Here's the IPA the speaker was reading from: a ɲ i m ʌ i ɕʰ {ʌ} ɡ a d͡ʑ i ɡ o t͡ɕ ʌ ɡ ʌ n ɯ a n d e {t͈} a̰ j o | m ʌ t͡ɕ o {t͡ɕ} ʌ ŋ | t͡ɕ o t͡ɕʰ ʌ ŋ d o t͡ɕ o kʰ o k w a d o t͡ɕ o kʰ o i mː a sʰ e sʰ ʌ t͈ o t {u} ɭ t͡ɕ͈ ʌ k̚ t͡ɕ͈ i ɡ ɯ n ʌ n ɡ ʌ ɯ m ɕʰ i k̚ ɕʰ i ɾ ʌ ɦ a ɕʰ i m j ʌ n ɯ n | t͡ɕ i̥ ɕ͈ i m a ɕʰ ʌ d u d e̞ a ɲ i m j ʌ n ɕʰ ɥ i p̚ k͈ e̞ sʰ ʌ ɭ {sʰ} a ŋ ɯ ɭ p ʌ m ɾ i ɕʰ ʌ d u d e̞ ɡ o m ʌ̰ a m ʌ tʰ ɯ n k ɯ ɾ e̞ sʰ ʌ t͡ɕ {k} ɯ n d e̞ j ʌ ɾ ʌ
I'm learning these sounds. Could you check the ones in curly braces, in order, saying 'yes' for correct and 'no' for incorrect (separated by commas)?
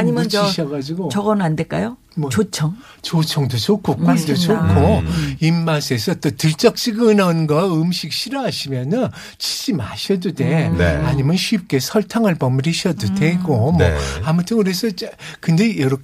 yes, no, no, no, no, yes